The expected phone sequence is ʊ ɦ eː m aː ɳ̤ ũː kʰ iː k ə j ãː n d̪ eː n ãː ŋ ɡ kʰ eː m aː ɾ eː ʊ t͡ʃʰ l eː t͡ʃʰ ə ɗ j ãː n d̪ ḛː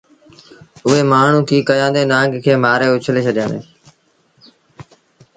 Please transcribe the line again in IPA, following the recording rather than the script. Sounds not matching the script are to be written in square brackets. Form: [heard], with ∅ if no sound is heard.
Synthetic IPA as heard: ʊ ɦ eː m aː ɳ̤ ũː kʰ iː k ə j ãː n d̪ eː n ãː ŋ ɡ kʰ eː m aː ɾ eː ʊ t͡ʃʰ l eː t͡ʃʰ ə ɗ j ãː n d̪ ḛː